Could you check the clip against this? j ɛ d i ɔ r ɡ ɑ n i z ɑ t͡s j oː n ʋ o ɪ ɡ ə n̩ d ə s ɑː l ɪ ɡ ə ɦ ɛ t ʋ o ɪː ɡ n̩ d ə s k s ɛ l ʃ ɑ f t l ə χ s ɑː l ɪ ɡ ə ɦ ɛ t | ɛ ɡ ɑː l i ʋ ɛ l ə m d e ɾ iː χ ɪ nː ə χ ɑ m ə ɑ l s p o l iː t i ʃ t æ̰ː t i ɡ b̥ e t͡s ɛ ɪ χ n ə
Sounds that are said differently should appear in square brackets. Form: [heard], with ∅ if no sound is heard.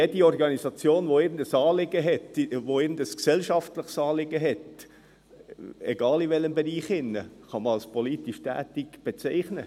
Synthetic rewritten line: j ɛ d i ɔ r ɡ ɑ n i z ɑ t͡s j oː n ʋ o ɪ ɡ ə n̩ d ə s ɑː l ɪ ɡ ə ɦ ɛ t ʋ o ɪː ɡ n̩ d ə s k s ɛ l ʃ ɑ f t l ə χ s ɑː l ɪ ɡ ə ɦ ɛ t | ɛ ɡ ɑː l i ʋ ɛ l ə m [b] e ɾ iː χ ɪ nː ə χ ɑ m ə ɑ l s p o l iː t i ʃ t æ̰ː t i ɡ b̥ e t͡s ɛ ɪ χ n ə